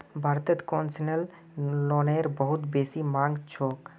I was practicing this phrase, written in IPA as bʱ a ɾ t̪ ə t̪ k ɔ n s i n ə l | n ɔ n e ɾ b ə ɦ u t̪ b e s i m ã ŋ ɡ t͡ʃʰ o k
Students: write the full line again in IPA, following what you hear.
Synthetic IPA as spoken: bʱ a ɾ t̪ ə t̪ k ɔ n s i n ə l | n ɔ n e ɾ b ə ɦ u t̪ b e s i m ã ŋ ɡ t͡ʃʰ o k